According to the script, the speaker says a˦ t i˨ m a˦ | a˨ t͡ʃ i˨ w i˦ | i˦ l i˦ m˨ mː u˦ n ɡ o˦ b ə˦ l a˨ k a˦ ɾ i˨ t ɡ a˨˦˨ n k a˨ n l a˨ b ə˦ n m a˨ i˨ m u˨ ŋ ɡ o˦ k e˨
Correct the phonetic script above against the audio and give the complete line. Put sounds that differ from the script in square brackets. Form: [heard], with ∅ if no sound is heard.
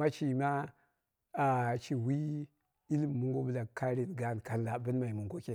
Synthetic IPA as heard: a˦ [t͡ʃ] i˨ m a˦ | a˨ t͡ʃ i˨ w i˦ | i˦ l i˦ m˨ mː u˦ [ŋ] ɡ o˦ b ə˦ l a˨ k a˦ ɾ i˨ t ɡ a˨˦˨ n k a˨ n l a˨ b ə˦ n m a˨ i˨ m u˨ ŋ ɡ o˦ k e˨